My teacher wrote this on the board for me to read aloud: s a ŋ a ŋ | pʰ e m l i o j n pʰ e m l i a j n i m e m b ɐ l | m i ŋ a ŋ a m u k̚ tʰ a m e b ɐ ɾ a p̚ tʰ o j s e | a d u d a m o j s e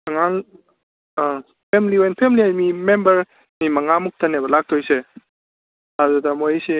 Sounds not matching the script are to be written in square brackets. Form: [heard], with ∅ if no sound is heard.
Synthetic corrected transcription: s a ŋ a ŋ | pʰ e m l i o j n pʰ e m l i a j [m] i m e m b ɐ [ɾ] | m i [m] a ŋ a m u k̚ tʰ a [n] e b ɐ [l] a [k̚] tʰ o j s e | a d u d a m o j s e